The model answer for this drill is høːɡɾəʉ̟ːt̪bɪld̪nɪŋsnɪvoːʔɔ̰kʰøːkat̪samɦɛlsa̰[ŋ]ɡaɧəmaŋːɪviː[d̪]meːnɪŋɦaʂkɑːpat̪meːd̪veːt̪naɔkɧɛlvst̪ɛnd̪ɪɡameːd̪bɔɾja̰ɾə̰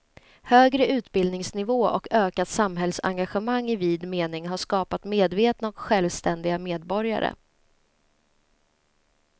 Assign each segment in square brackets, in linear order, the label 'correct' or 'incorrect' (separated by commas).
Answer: correct, correct